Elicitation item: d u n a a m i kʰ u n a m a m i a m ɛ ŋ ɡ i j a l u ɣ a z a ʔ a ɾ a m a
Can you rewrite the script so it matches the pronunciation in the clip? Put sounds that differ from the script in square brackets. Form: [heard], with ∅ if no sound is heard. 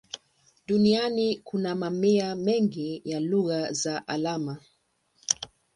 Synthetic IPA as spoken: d u n [i] a [n] i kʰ u n a m a m i a m ɛ ŋ ɡ i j a l u ɣ a z a ʔ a [l] a m a